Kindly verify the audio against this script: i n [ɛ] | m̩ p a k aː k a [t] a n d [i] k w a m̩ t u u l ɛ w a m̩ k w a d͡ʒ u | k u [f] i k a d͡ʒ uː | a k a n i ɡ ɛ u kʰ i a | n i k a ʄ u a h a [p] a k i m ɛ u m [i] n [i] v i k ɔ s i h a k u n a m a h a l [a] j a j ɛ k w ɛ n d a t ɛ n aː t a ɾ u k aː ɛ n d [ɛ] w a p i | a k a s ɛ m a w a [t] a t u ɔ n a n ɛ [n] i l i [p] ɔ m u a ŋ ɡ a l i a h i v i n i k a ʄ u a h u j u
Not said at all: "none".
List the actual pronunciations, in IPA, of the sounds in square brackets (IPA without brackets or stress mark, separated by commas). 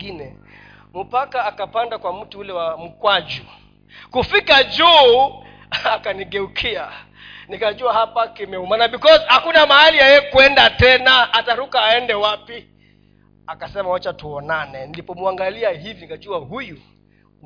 ɛ, p, a, f, p, a, a, i, ɛ, t͡ʃ, n, p